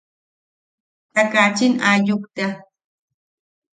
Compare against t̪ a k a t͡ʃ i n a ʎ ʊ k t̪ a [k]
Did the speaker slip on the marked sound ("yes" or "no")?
yes